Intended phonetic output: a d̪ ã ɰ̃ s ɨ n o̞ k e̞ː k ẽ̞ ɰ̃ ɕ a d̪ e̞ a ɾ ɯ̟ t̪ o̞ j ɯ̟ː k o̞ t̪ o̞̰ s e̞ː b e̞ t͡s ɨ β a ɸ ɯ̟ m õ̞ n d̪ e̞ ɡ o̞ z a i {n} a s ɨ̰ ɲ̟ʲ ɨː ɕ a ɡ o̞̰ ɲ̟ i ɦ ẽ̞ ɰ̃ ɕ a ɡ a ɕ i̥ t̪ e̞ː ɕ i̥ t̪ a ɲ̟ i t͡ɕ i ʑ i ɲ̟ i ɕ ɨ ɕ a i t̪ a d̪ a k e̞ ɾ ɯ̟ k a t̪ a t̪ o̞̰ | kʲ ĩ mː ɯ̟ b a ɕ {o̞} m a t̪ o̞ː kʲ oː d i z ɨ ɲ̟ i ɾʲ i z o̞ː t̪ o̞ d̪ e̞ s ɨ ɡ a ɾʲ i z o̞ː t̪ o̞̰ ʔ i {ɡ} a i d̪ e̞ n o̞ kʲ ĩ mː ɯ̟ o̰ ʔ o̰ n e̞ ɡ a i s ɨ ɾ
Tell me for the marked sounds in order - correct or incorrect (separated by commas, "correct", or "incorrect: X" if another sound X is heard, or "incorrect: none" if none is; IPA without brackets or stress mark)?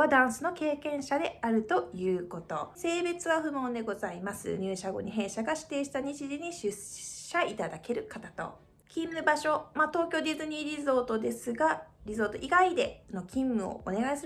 incorrect: m, correct, correct